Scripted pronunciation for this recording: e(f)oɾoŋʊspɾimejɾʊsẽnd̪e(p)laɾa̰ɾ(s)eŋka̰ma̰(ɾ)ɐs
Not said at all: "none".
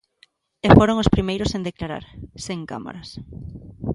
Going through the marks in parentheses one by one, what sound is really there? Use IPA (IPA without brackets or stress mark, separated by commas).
f, k, s, ɾ